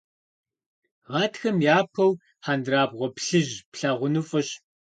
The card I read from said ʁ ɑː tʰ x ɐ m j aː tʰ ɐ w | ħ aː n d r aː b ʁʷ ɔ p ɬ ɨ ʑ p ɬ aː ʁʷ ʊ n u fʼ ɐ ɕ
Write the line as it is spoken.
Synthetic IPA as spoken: ʁ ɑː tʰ x ɐ m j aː pʰ ɐ w | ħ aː n d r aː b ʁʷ ɔ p ɬ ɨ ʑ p ɬ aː ʁʷ ʊ n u fʼ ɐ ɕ